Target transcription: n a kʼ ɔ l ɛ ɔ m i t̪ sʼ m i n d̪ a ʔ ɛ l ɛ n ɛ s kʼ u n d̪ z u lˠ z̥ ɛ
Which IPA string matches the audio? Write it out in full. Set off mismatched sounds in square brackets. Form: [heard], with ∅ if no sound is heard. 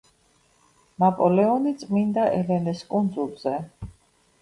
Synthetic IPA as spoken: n a [pʼ] ɔ l ɛ ɔ [n] i t̪ sʼ m i n d̪ a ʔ ɛ l ɛ n ɛ s kʼ u n d̪ z u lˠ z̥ ɛ